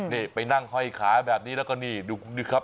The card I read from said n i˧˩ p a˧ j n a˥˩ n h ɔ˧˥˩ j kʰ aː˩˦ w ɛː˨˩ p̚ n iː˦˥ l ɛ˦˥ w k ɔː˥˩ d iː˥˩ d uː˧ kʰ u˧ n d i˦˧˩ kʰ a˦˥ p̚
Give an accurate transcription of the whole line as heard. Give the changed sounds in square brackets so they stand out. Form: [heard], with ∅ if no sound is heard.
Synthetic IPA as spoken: n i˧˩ p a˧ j n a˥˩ [ŋ] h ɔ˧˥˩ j kʰ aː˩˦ [b] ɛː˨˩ p̚ n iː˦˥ l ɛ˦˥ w k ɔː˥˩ [n] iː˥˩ d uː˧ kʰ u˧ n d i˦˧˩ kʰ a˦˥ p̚